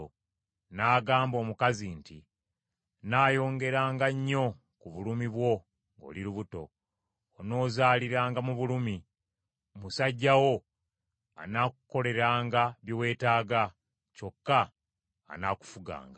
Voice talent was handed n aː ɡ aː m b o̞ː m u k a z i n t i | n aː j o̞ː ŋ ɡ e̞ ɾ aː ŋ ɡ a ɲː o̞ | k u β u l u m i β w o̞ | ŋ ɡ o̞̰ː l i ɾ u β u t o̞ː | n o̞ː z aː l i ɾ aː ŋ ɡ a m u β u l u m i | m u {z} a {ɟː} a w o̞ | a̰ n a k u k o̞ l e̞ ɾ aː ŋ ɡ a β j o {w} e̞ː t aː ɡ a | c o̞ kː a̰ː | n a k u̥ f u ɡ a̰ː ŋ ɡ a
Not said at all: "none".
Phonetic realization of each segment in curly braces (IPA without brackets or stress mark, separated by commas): s, ɟː, w